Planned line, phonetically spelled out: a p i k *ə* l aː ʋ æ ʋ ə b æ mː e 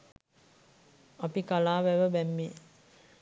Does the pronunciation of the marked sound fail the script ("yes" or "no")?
yes